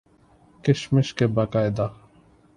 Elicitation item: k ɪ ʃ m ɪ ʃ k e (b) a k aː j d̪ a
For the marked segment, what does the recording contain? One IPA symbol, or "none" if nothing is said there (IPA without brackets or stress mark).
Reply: b